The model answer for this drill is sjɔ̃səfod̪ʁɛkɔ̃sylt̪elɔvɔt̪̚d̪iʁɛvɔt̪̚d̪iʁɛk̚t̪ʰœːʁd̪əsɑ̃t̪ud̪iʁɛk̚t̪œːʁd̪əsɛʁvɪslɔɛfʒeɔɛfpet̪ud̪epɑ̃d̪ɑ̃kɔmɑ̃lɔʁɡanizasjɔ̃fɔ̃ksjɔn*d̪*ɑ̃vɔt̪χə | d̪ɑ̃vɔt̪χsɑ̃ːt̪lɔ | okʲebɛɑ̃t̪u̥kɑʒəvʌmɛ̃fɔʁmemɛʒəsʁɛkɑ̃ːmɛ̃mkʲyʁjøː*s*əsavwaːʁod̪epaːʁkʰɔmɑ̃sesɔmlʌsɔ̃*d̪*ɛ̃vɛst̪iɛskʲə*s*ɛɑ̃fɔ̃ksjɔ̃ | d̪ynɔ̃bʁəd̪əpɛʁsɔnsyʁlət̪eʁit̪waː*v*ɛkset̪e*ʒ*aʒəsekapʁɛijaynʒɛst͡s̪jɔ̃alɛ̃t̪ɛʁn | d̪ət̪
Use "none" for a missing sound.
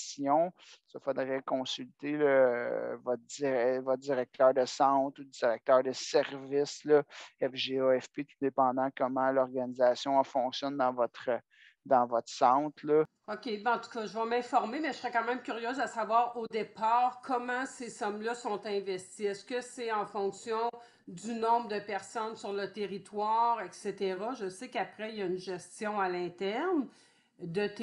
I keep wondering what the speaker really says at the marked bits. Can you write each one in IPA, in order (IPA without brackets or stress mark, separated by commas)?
d̪, z, t̪, s, ʁ, ʁ